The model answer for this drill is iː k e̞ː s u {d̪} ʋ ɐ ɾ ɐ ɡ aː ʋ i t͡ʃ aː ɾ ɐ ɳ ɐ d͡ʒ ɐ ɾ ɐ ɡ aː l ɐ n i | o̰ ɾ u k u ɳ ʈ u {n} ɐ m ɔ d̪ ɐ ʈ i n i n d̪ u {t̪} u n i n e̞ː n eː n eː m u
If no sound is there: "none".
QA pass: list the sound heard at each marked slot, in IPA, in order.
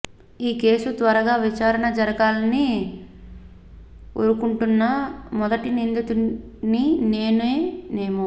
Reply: t̪, nː, t̪

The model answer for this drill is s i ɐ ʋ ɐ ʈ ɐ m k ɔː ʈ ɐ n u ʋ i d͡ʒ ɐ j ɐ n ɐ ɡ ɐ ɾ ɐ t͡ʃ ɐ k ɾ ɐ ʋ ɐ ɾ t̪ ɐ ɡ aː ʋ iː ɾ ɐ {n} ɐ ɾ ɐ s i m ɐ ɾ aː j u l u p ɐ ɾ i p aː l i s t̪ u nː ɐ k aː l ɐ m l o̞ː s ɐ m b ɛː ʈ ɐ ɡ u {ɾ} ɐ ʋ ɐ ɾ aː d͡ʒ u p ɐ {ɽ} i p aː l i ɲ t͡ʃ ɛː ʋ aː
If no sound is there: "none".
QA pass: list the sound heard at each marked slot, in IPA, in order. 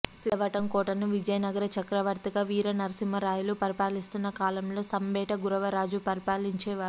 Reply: n, ɾ, ɾ

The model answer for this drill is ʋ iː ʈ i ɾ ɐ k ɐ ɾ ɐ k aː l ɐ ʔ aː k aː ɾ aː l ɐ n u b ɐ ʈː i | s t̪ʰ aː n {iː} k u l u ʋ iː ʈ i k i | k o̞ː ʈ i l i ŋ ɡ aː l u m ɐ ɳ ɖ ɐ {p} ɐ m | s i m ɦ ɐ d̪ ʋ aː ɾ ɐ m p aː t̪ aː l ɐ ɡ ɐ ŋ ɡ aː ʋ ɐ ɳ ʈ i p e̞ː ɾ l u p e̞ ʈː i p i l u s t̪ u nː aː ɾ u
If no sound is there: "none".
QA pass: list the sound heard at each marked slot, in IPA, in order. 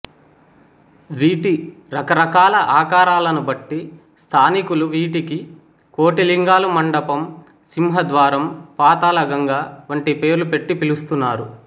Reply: i, p

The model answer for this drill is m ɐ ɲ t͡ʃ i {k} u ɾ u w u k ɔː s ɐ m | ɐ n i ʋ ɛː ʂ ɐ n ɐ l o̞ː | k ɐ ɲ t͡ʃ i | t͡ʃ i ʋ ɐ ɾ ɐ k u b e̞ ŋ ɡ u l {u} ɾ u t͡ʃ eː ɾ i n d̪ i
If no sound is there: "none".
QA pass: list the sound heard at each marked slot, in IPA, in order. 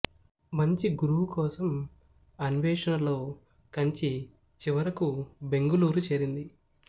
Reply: ɡ, uː

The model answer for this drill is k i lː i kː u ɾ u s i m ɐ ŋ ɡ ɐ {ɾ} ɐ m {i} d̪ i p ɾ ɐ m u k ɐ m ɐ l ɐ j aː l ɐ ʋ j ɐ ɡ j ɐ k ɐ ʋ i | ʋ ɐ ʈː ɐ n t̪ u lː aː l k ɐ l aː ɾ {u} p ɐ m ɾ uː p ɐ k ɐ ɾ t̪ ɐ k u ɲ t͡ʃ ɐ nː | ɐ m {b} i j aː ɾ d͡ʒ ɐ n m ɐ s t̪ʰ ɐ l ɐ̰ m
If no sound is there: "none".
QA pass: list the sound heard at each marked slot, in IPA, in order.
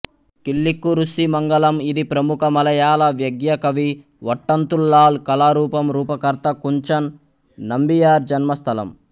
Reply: l, i, uː, b

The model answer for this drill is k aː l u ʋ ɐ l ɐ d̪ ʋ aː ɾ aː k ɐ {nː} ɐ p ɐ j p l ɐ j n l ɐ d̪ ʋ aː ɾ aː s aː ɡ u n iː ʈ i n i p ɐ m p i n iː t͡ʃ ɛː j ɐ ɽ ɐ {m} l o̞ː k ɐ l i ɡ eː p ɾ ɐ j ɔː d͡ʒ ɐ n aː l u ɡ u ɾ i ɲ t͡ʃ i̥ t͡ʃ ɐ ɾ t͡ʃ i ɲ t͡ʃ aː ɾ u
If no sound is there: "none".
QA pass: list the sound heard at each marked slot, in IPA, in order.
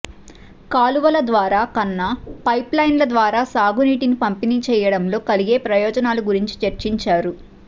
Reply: nː, m

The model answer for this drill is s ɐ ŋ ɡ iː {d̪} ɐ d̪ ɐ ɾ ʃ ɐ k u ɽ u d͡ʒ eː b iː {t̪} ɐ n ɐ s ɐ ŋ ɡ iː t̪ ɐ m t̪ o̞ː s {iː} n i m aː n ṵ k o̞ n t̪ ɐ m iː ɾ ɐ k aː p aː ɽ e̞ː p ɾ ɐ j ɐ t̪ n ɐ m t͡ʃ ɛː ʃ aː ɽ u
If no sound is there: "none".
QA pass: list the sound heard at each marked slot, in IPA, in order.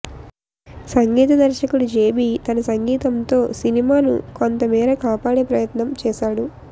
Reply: t̪, t̪, i

